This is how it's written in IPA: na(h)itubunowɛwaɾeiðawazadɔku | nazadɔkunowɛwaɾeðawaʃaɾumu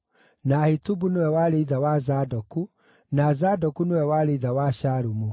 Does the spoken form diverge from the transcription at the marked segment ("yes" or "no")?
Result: no